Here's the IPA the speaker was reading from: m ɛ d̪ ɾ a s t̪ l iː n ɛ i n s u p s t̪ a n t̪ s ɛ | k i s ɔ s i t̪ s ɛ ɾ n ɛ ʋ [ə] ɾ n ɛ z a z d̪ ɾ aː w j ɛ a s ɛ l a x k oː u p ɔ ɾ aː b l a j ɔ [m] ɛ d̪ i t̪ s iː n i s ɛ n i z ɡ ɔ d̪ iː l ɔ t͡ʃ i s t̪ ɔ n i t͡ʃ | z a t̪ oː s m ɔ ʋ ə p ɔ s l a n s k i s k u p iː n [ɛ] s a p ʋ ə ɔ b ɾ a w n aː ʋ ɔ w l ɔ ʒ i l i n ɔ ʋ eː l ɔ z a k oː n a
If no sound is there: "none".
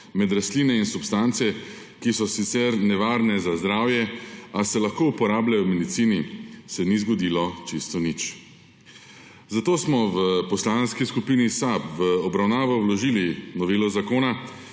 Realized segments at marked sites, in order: a, m, i

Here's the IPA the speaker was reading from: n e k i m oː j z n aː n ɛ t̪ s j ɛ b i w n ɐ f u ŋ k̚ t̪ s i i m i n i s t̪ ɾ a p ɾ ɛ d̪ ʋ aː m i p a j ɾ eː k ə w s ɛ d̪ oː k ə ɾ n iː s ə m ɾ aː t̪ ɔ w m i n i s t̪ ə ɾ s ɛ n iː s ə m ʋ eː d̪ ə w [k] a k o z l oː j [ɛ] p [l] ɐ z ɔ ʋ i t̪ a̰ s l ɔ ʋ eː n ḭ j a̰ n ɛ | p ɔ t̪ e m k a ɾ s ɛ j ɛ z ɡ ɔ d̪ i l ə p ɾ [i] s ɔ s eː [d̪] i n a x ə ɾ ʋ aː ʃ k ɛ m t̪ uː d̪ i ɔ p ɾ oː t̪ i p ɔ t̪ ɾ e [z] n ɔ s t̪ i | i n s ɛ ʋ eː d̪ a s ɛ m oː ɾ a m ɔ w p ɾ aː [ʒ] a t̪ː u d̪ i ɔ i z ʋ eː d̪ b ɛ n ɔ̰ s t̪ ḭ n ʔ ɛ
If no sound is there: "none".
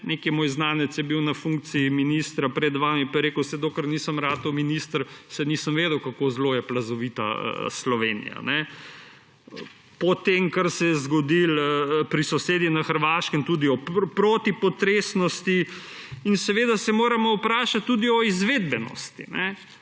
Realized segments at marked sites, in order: k, ɛ, l, i, d̪, s, ʃ

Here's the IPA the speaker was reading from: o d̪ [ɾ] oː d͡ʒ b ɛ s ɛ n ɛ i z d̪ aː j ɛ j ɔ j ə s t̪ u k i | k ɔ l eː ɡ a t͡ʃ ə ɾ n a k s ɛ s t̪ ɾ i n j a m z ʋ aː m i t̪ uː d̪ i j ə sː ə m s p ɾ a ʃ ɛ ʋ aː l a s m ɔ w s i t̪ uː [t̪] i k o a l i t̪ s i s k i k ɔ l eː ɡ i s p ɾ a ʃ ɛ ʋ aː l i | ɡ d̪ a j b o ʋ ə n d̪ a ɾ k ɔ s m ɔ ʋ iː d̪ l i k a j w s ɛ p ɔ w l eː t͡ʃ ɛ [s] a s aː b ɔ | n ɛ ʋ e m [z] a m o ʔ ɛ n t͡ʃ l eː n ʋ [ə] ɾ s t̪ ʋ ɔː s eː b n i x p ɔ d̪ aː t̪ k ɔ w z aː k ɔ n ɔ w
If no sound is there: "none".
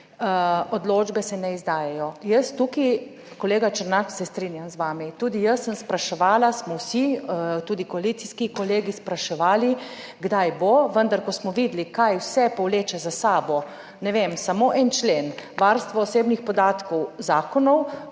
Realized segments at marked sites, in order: l, d̪, z, s, a

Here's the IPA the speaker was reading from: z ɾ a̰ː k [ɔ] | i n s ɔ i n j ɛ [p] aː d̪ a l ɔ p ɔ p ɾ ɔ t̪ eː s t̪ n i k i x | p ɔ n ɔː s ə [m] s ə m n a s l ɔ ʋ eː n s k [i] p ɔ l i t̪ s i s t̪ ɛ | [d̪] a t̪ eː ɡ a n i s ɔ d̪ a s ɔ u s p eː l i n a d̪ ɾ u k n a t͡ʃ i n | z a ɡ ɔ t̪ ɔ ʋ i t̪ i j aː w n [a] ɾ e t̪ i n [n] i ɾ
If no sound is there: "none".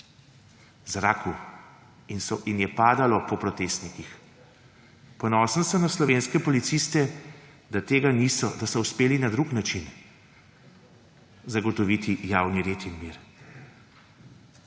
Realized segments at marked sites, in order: u, p, n, ɛ, d̪, i, m

